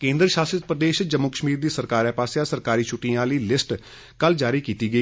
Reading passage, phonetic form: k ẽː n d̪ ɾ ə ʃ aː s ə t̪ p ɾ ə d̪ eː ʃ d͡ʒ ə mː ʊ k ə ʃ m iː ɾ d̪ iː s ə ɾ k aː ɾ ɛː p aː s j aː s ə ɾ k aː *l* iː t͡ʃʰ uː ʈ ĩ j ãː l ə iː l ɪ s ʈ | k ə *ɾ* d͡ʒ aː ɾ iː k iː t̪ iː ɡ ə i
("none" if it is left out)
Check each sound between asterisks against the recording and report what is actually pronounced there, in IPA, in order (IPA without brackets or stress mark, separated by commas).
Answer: ɾ, l